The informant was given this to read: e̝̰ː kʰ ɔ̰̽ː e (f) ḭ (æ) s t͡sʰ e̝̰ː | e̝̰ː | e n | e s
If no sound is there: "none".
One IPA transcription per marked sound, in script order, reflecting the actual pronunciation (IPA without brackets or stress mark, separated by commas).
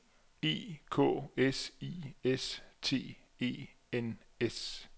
s, e